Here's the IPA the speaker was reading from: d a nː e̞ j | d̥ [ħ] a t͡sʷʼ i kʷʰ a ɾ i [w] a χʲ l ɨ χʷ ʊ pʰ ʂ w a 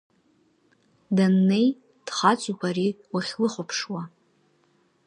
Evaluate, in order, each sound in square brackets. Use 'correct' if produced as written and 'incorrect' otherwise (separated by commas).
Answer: incorrect, correct